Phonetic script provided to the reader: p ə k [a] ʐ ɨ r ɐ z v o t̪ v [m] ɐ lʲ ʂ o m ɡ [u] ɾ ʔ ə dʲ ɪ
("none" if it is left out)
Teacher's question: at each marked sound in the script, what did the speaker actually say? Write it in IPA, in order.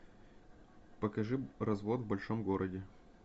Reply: ɐ, b, o

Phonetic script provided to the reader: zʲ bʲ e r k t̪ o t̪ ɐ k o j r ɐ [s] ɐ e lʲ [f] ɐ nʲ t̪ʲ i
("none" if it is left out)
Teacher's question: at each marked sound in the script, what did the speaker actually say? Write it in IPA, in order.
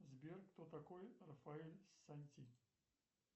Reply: f, s

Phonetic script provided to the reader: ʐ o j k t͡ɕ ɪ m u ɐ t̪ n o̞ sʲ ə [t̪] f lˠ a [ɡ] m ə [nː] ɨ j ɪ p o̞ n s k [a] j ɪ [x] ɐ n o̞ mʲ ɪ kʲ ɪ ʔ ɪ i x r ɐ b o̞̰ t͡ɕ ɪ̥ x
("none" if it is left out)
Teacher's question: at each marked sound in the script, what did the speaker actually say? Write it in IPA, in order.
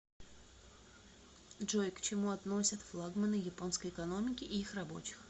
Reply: t̪, ɡ, n, ə, k

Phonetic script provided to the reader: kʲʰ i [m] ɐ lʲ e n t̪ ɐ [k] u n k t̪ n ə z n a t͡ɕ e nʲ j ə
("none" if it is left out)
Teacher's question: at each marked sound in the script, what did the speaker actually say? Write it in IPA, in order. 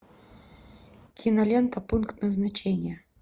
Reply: n, p

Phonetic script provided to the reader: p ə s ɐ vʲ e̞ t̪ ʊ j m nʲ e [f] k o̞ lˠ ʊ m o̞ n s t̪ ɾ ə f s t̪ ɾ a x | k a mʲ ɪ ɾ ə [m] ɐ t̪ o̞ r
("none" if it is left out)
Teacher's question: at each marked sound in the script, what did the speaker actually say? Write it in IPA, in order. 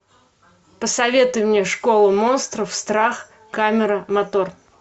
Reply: ʂ, m

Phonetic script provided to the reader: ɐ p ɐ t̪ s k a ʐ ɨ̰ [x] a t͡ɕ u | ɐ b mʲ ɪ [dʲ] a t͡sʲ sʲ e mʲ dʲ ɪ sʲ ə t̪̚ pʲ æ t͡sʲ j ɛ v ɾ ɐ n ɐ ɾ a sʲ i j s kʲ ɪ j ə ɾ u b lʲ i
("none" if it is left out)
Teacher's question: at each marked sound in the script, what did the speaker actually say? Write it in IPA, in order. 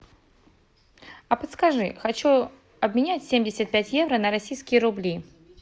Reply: x, nʲ

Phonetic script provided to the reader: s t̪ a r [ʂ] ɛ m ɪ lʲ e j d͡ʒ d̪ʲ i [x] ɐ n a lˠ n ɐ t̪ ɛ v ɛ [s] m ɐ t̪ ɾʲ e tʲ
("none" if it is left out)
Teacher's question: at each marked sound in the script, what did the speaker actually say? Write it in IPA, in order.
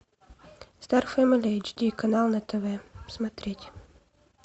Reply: f, k, s

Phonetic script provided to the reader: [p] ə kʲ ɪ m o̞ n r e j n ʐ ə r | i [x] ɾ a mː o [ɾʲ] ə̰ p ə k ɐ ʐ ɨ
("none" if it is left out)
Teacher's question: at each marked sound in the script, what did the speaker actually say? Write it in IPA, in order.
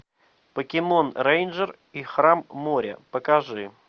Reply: p, x, ɾʲ

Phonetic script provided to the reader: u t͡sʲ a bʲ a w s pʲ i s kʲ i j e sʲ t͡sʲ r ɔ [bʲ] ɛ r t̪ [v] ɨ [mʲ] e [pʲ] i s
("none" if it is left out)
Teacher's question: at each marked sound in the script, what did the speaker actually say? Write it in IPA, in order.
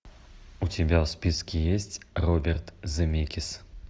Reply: bʲ, z, mʲ, kʲ

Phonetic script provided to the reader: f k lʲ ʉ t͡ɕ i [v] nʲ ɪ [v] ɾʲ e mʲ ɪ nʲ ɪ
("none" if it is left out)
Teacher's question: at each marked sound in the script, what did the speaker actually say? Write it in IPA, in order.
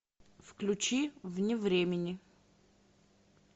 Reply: v, v

